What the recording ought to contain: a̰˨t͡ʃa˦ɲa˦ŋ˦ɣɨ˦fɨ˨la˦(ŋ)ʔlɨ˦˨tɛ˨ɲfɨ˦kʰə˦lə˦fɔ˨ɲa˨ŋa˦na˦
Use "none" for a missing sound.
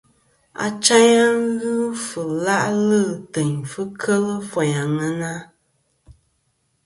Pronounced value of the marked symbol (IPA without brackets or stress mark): none